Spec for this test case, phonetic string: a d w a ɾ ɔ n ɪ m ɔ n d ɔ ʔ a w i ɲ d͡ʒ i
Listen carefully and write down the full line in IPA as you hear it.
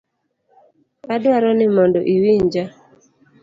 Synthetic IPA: a d w a ɾ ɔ n ɪ m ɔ n d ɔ ʔ i w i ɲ d͡ʒ a